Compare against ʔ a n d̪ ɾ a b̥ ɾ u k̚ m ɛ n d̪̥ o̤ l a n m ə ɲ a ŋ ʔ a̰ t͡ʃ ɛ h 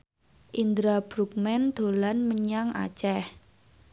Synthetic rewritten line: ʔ i n d̪ ɾ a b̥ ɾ u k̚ m ɛ n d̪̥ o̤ l a n m ə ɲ a ŋ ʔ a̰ t͡ʃ ɛ h